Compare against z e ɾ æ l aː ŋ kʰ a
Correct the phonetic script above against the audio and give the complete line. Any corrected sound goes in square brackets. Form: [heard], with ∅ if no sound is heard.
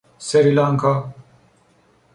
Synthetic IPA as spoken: [s] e ɾ [i] l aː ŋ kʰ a

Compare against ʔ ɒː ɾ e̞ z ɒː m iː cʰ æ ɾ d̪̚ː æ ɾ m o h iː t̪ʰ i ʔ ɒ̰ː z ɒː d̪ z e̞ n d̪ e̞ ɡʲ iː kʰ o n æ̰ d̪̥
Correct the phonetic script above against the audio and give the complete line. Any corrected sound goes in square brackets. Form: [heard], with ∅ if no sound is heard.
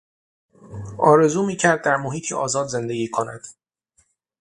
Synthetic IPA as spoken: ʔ ɒː ɾ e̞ z [uː] m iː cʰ æ ɾ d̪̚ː æ ɾ m o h iː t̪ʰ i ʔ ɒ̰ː z ɒː d̪ z e̞ n d̪ e̞ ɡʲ iː kʰ o n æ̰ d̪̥

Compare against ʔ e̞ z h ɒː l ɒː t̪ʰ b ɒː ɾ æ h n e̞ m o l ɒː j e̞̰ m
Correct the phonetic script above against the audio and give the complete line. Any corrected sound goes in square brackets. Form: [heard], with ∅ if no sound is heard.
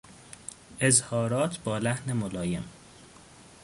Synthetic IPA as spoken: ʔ e̞ z h ɒː [ɾ] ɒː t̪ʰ b ɒː [l] æ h n e̞ m o l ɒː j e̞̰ m

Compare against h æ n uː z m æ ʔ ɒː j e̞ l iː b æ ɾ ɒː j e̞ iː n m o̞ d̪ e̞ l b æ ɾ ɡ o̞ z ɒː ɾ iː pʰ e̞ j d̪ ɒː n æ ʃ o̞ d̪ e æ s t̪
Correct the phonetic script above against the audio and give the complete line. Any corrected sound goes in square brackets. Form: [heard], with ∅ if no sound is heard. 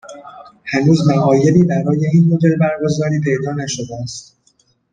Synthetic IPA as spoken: h æ n uː z m æ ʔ ɒː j e̞ l iː b æ ɾ ɒː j e̞ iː n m o̞ d̪ e̞ l b æ ɾ ɡ o̞ z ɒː ɾ iː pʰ e̞ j d̪ ɒː n æ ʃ o̞ d̪ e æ s t̪

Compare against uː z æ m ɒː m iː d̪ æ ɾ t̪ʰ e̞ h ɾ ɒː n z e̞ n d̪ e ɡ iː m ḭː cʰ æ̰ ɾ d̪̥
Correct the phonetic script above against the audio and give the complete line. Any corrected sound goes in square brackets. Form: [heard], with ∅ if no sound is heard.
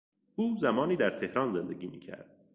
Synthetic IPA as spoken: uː z æ m ɒː [n] iː d̪ æ ɾ t̪ʰ e̞ h ɾ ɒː n z e̞ n d̪ e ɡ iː m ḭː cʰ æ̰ ɾ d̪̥

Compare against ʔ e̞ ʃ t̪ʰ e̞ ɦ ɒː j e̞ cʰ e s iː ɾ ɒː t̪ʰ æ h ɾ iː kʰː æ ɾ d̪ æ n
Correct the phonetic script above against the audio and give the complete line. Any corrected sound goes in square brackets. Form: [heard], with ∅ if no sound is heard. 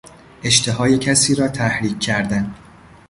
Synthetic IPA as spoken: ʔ e̞ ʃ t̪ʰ e̞ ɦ ɒː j e̞ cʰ [æ] s iː ɾ ɒː t̪ʰ æ h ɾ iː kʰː æ ɾ d̪ æ n

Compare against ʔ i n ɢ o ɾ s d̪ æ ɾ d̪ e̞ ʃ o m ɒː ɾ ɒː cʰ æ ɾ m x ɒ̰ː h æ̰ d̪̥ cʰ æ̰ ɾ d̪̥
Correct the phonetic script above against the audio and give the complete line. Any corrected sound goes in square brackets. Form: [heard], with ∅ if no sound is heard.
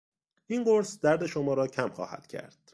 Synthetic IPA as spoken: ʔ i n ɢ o ɾ s d̪ æ ɾ d̪ e̞ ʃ o m ɒː ɾ ɒː cʰ æ [∅] m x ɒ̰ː h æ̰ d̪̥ cʰ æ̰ ɾ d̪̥

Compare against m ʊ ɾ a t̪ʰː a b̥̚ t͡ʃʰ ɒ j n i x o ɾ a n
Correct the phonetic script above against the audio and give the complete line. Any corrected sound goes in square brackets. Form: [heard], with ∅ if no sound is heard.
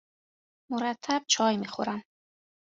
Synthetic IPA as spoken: m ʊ ɾ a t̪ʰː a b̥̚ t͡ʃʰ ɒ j [m] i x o ɾ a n

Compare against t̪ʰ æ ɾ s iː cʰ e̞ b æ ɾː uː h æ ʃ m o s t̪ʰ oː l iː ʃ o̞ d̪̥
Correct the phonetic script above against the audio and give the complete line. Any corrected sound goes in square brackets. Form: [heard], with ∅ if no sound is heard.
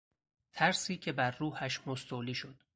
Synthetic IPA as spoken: t̪ʰ æ ɾ s iː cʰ e̞ b æ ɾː uː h æ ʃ m o s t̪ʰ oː l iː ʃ o̞ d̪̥

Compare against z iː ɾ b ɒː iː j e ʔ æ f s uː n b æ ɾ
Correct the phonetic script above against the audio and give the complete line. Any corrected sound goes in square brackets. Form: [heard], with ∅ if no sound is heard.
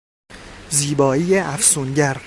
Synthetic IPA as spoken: z iː [∅] b ɒː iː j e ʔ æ f s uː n [ɟ] æ ɾ

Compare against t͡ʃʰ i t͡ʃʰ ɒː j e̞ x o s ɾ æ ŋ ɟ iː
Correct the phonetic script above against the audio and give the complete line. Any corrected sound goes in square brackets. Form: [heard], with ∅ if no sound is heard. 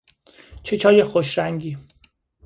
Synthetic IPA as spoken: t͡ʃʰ [e] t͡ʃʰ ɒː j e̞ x o [ʃ] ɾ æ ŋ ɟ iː

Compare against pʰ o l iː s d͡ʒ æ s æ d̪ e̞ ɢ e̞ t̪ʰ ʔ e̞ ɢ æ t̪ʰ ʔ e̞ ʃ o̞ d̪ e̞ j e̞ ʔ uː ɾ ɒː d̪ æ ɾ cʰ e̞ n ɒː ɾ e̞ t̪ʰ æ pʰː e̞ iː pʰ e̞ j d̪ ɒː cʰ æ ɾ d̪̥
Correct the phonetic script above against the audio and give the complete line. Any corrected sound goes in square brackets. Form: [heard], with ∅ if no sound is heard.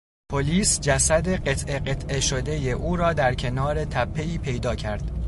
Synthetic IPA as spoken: pʰ o l iː s d͡ʒ æ s æ d̪ e̞ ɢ e̞ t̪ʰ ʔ e̞ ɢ [e] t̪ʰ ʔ e̞ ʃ o̞ d̪ e̞ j e̞ ʔ uː ɾ ɒː d̪ æ ɾ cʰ e̞ n ɒː ɾ e̞ t̪ʰ æ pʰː e̞ iː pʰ e̞ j d̪ ɒː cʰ æ ɾ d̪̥

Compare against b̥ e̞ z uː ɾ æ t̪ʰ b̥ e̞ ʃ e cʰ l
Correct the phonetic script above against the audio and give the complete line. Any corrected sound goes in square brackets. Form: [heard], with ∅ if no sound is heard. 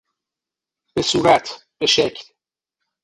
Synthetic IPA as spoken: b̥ e̞ [s] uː ɾ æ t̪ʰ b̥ e̞ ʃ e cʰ l

